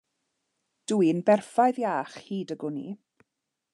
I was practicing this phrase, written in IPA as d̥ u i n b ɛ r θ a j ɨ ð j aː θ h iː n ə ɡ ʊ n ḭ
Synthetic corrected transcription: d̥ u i n b ɛ r f a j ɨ ð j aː χ h iː d ə ɡ ʊ n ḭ